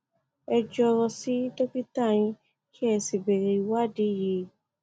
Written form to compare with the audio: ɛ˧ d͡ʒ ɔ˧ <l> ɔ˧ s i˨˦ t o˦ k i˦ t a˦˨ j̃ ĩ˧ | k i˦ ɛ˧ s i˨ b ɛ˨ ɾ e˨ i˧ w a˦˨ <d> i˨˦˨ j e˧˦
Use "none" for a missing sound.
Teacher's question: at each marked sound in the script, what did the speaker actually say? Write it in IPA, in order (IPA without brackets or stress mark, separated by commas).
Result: ɾ, d